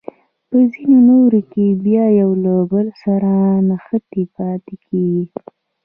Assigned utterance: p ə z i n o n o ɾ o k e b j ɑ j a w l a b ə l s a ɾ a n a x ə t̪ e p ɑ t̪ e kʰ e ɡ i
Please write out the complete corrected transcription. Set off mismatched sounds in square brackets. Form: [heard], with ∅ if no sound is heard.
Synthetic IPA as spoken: p ə z i n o n o ɾ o k e b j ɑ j a w l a b ə l s a ɾ a n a x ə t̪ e p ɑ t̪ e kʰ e ɡ i